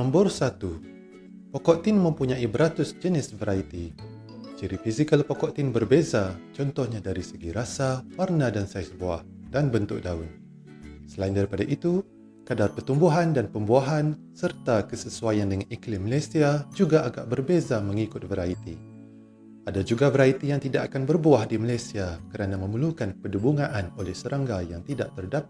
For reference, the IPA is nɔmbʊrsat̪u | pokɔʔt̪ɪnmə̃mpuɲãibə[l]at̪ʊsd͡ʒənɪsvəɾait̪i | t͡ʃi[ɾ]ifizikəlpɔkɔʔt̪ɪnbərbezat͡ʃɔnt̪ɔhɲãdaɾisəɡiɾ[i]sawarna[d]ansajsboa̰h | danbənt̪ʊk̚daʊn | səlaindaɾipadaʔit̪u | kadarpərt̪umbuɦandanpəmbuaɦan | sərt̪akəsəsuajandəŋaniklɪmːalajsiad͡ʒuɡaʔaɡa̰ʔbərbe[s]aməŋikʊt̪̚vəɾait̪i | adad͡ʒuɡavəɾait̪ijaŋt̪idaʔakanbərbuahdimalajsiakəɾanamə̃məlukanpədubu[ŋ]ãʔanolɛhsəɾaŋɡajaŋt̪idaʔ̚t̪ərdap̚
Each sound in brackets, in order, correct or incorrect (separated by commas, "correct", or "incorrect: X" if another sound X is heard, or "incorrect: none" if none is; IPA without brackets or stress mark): incorrect: ɾ, correct, incorrect: a, correct, incorrect: z, correct